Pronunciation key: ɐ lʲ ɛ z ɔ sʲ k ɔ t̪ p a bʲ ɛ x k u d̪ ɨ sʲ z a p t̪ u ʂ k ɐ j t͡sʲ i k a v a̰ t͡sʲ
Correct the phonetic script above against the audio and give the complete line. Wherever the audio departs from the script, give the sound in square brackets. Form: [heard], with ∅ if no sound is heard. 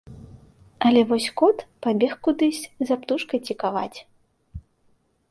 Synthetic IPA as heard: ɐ lʲ ɛ [v] ɔ sʲ k ɔ t̪ p a bʲ ɛ x k u d̪ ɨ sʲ z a p t̪ u ʂ k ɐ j t͡sʲ i k a v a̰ t͡sʲ